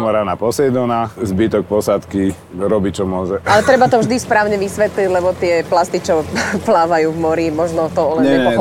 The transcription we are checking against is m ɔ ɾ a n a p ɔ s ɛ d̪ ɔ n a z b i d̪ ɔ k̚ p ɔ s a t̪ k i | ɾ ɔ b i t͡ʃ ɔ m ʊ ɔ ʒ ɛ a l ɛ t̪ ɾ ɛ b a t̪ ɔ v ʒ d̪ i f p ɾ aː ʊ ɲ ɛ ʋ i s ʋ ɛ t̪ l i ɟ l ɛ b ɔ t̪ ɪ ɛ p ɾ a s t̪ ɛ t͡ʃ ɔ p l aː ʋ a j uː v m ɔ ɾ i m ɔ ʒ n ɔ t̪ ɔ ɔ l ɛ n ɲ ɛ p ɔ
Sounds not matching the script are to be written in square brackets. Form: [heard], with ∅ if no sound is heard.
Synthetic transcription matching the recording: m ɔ ɾ a n a p ɔ s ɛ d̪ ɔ n a z b i [t̪] ɔ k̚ p ɔ s a t̪ k i | ɾ ɔ b i t͡ʃ ɔ m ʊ ɔ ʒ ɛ a l ɛ t̪ ɾ ɛ b a t̪ ɔ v ʒ d̪ i [s] p ɾ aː ʊ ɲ ɛ ʋ i s ʋ ɛ t̪ l i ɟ l ɛ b ɔ t̪ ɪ ɛ p [l] a s t̪ [i] t͡ʃ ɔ p l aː ʋ a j uː v m ɔ ɾ i m ɔ ʒ n ɔ t̪ ɔ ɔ l ɛ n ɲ ɛ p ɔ